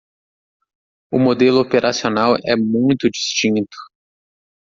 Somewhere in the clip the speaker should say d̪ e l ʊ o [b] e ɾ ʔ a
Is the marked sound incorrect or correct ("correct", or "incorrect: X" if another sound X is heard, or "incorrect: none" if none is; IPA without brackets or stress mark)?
incorrect: p